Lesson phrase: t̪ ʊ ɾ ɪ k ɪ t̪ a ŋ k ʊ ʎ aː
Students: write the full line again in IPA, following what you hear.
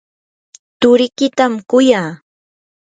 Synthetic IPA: t̪ ʊ ɾ ɪ k ɪ t̪ a m k ʊ j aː